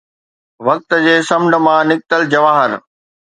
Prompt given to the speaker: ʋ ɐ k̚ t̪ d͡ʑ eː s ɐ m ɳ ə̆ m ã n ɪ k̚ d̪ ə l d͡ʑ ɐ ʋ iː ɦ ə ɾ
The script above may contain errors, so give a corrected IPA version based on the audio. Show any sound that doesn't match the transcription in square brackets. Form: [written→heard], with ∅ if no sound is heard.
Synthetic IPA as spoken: ʋ ɐ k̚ t̪ d͡ʑ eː s ɐ m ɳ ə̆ m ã n ɪ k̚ [d̪→t̪] ə l d͡ʑ ɐ ʋ [iː→aː] ɦ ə ɾ